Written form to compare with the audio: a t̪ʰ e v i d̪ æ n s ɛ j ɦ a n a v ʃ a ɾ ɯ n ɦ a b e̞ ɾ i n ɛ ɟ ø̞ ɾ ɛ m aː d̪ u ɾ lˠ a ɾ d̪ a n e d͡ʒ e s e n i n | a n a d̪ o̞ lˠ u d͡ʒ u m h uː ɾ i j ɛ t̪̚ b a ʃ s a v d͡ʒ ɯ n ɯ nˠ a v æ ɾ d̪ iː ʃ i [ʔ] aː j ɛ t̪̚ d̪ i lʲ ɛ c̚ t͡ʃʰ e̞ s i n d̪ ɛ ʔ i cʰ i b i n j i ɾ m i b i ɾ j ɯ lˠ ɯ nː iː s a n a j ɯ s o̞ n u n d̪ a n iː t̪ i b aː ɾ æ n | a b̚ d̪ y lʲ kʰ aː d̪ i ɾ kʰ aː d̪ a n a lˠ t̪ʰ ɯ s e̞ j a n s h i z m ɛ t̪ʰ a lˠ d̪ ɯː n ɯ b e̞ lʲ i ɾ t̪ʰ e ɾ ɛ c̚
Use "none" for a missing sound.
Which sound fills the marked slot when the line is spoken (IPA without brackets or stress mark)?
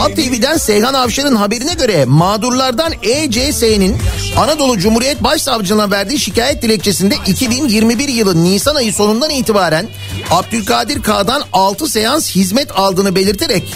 c